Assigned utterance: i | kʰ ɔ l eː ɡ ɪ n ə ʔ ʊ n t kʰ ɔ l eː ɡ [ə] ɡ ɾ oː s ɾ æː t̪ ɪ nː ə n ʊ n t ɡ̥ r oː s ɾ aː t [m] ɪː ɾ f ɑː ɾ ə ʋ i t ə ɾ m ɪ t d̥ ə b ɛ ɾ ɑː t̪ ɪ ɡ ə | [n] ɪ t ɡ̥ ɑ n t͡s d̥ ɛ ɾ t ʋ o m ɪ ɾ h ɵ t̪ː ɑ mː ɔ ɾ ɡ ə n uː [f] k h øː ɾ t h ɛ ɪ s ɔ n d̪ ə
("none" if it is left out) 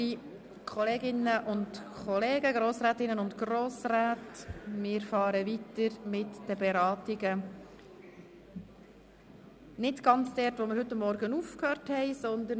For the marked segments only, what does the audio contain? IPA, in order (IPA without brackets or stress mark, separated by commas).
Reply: ə, m, n, f